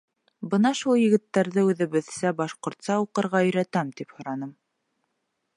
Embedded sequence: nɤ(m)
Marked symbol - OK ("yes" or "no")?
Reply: yes